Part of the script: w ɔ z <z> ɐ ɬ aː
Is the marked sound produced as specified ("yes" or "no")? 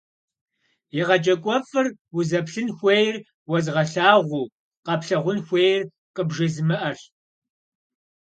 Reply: no